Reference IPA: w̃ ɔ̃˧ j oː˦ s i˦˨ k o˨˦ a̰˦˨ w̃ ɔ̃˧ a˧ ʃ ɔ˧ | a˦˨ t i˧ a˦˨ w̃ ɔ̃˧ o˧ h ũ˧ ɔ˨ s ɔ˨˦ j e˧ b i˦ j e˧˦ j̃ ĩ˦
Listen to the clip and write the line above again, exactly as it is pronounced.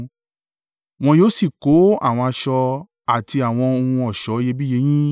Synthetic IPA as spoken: w̃ ɔ̃˧ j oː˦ s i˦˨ k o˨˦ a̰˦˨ w̃ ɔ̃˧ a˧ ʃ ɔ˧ | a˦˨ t i˧ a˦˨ w̃ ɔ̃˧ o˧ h ũ˧ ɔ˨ ʃ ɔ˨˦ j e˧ b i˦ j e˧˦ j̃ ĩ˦